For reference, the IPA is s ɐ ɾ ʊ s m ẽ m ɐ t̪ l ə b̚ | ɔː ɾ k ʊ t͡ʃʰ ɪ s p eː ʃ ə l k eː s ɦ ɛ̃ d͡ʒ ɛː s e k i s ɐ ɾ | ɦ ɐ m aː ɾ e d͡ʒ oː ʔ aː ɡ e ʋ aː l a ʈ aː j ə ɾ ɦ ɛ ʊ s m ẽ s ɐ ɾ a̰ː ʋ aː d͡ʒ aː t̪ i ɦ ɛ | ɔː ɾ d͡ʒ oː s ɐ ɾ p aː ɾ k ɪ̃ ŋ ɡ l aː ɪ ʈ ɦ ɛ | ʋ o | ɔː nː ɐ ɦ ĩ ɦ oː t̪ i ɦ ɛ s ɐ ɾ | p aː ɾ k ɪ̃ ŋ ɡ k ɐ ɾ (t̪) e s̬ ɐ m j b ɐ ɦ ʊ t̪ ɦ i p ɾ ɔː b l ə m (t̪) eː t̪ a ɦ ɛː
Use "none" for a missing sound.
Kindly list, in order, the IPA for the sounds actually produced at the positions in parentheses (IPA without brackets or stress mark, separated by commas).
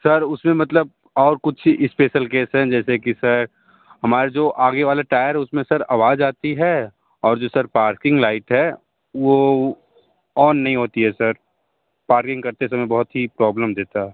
t̪, d̪